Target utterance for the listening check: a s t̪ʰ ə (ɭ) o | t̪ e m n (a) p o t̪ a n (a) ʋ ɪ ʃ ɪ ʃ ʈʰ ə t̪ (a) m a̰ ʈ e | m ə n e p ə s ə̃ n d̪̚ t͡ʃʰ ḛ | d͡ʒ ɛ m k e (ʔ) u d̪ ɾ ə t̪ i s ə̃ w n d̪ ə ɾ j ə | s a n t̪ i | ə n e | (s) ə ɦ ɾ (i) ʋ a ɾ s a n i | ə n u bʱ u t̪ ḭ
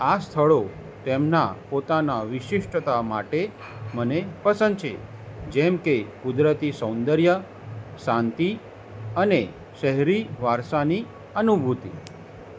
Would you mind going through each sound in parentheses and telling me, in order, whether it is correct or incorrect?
correct, correct, correct, correct, incorrect: k, incorrect: ʃ, correct

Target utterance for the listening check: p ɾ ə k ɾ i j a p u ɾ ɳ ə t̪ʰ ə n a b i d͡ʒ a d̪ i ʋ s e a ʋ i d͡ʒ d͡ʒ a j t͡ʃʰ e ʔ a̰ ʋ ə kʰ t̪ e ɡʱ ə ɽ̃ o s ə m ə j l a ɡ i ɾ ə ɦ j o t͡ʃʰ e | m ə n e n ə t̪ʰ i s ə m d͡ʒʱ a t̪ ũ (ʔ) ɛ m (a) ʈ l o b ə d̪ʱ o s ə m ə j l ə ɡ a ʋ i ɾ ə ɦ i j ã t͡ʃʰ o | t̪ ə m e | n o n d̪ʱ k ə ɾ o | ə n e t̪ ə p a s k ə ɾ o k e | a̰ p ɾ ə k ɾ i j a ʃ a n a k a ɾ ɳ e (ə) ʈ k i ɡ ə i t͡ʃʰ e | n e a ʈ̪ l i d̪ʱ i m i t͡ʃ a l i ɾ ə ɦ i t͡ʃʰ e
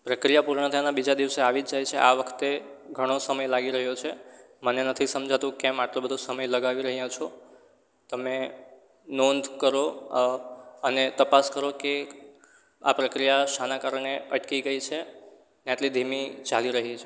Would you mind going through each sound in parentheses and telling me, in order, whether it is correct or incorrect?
incorrect: k, correct, correct

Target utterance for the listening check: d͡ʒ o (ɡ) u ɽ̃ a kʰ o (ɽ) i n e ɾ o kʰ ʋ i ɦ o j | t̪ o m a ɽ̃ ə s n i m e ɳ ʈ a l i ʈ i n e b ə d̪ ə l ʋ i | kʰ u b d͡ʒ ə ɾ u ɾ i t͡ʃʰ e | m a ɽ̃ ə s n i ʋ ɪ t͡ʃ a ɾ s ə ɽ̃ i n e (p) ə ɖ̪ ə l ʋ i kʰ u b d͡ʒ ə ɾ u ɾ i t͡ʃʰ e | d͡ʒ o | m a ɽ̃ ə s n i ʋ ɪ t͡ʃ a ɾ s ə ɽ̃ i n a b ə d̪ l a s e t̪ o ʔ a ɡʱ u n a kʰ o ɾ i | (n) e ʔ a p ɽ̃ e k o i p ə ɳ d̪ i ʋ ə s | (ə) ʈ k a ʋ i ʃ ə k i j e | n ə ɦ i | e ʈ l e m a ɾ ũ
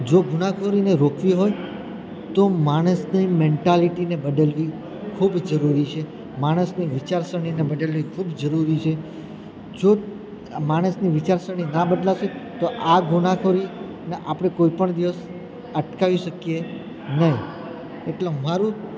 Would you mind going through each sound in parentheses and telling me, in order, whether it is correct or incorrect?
correct, incorrect: ɾ, incorrect: b, correct, correct

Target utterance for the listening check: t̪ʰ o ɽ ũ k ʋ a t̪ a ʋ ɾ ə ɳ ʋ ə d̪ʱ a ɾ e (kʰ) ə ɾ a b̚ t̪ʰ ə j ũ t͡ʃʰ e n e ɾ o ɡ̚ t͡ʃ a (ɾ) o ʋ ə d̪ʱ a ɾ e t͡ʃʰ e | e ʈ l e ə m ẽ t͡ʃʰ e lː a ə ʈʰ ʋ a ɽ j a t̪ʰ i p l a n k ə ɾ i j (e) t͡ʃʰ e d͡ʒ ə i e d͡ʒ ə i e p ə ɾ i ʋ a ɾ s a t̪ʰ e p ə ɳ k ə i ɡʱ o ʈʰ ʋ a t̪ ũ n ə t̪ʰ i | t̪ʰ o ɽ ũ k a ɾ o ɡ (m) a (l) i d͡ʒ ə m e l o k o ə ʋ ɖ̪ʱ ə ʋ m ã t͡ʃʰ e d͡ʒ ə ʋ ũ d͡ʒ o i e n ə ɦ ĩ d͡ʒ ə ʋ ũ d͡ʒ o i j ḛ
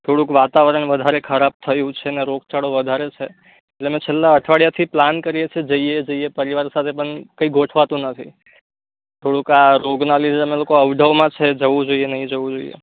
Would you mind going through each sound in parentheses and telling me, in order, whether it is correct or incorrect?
correct, incorrect: ɽ, correct, incorrect: n, correct

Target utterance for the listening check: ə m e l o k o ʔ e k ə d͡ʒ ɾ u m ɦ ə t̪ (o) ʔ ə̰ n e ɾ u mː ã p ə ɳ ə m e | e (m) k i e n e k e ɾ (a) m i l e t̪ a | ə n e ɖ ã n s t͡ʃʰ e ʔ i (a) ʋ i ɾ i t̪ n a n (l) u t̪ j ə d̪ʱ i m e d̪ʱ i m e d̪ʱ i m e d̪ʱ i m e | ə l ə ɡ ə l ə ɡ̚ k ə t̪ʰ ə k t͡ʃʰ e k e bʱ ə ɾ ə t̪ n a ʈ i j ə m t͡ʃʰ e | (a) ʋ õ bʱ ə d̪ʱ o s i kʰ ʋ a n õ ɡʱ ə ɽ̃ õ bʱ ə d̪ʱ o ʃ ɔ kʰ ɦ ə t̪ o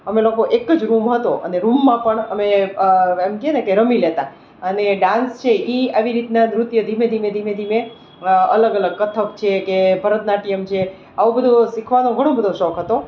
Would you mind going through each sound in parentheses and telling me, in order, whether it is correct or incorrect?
correct, correct, incorrect: ə, correct, incorrect: ɾ, correct

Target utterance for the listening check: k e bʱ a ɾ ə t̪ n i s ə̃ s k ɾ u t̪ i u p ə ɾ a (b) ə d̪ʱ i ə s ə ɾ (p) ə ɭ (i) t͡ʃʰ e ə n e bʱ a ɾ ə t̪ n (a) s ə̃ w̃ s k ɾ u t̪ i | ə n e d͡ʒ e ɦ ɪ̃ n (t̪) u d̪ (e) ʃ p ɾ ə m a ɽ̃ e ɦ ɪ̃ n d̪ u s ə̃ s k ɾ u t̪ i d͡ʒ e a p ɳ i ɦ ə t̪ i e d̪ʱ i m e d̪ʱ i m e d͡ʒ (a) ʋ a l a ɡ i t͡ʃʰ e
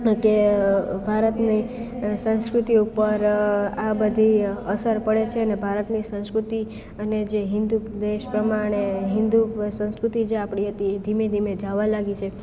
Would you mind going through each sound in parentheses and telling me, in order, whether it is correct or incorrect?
correct, correct, incorrect: e, incorrect: i, incorrect: d̪, correct, correct

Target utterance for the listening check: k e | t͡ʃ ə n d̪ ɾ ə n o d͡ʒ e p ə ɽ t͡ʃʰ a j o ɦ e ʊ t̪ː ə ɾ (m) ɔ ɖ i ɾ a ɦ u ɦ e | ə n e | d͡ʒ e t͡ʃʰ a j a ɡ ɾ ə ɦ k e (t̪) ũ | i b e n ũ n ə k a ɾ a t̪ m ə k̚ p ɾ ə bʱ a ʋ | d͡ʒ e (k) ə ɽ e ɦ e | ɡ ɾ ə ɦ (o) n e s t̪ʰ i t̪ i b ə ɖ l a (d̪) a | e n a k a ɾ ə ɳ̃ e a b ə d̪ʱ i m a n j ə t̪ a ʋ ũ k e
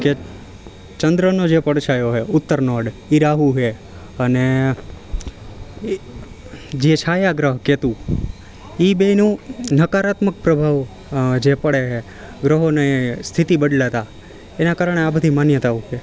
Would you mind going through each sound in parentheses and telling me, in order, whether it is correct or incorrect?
incorrect: n, correct, incorrect: p, correct, incorrect: t̪

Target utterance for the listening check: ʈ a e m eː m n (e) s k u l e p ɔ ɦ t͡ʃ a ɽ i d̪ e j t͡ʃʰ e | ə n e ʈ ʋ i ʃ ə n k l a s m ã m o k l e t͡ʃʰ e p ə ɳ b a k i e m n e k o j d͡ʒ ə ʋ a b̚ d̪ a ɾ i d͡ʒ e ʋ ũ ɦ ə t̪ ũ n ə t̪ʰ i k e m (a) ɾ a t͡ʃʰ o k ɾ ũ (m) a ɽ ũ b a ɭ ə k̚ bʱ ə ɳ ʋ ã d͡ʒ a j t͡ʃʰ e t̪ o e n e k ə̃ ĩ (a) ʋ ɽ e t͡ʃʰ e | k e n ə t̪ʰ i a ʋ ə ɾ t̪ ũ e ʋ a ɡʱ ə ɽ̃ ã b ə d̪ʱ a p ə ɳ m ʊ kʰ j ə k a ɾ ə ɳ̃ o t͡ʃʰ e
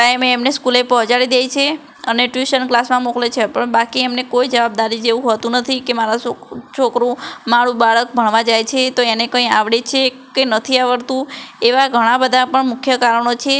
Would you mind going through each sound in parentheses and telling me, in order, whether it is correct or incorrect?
correct, correct, correct, correct

